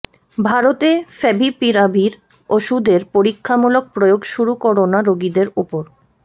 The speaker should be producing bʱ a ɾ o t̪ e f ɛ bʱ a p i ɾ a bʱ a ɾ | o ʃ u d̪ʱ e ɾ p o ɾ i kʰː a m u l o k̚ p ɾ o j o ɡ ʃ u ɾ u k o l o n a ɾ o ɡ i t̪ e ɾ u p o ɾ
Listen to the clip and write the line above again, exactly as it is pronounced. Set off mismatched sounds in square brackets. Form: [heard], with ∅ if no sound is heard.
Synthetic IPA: bʱ a ɾ o t̪ e f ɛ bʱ [i] p i ɾ a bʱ [i] ɾ | o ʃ u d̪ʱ e ɾ p o ɾ i kʰː a m u l o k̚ p ɾ o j o ɡ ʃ u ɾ u k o [ɾ] o n a ɾ o ɡ i [d̪] e ɾ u p o ɾ